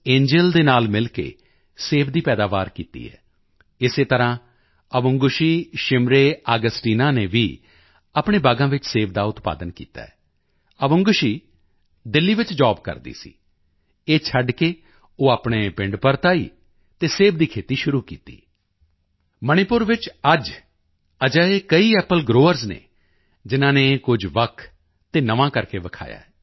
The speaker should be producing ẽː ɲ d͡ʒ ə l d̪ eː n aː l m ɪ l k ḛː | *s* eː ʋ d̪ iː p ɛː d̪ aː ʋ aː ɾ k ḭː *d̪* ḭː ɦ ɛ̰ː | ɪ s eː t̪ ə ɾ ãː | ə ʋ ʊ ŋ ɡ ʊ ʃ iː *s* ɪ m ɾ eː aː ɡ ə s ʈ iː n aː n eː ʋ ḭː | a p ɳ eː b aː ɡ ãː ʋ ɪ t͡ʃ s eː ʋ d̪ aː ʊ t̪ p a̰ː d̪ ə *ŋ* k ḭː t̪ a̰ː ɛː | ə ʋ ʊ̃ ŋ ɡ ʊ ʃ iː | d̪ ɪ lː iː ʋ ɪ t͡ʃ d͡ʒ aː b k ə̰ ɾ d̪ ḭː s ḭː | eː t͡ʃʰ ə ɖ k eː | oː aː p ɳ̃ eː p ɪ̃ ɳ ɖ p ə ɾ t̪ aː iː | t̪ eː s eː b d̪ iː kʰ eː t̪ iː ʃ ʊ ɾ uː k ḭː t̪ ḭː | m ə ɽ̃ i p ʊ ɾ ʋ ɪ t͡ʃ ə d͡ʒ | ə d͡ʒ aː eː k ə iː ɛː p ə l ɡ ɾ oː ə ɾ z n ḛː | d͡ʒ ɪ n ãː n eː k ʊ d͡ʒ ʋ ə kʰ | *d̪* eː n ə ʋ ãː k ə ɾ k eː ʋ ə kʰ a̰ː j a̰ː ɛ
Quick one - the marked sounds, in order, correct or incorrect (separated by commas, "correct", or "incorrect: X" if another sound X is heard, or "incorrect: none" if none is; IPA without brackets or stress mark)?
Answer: correct, incorrect: t̪, incorrect: ʃ, incorrect: n, incorrect: t̪